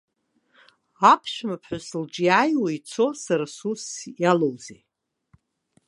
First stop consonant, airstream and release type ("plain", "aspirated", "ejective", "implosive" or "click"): aspirated